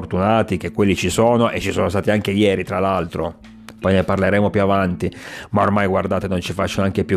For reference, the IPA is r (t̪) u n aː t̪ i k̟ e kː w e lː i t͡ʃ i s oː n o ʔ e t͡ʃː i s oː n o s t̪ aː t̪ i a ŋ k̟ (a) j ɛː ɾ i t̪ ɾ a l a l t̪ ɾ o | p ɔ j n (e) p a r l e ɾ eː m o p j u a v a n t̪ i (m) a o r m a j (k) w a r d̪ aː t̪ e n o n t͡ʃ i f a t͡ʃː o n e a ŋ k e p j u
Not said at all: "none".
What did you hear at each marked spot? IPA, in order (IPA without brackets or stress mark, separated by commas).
t̪, e, e, m, ɡ